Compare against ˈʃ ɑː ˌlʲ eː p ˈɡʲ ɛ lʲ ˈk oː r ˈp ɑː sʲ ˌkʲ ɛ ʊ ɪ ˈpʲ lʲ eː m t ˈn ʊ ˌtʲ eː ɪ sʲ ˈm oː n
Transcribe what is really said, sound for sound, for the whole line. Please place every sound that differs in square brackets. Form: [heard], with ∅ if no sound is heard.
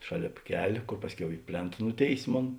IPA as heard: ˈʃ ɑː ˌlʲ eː p [ˈkʲ] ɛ lʲ ˈk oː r ˈp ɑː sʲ ˌkʲ ɛ ʊ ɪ ˈpʲ lʲ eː [n] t ˈn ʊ ˌtʲ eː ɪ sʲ ˈm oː n